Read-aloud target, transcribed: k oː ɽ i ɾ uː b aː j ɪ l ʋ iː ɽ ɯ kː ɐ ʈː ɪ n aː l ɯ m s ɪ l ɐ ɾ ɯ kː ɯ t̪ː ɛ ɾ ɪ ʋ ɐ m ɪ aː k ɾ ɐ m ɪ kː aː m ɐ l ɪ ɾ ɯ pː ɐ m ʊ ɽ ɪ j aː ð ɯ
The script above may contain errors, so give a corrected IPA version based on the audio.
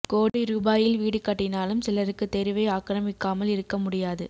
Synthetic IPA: k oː ɽ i ɾ uː b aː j ɪ l ʋ iː ɽ ɯ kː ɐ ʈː ɪ n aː l ɯ m s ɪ l ɐ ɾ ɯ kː ɯ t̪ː ɛ ɾ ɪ ʋ ɐ ɪ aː k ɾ ɐ m ɪ kː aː m ɐ l ɪ ɾ ɯ kː ɐ m ʊ ɽ ɪ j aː ð ɯ